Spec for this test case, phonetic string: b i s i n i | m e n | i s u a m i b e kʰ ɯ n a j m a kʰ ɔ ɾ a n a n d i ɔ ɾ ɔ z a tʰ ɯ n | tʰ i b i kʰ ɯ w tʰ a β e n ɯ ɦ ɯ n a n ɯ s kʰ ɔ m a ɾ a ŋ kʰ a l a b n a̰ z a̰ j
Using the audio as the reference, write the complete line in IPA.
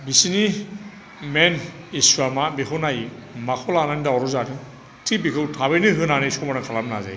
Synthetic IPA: b i s i n i | m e n | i s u a m a b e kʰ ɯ n a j m a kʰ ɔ l a n a n d a ɔ ɾ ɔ z a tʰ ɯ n | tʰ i b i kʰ ɯ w tʰ a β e n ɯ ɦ ɯ n a n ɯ s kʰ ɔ m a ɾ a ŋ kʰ a l a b n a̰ z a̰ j